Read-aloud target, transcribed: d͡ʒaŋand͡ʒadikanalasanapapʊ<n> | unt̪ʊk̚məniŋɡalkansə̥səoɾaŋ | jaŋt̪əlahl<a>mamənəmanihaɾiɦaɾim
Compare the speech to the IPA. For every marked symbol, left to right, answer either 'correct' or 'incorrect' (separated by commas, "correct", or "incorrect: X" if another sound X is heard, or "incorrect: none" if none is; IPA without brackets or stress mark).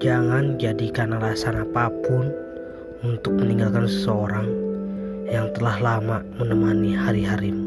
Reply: correct, correct